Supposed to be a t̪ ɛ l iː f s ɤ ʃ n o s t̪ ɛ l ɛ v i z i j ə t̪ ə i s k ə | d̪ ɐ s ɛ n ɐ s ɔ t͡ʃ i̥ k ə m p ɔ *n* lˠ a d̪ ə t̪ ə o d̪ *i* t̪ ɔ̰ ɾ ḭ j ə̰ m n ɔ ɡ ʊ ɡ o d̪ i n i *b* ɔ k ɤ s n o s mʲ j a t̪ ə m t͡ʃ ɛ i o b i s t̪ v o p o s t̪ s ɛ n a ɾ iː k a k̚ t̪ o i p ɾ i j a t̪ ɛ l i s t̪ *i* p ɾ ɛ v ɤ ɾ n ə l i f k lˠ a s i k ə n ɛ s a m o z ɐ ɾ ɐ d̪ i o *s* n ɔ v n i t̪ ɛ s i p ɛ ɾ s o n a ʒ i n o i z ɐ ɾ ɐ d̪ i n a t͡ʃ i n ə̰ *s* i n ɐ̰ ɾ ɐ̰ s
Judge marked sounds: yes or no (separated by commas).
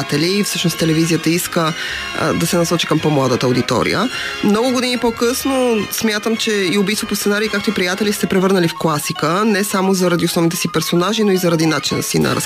no, yes, no, no, yes, yes